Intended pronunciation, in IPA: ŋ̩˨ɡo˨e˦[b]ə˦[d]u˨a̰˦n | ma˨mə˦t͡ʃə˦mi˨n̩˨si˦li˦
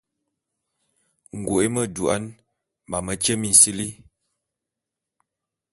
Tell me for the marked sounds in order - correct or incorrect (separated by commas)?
incorrect, correct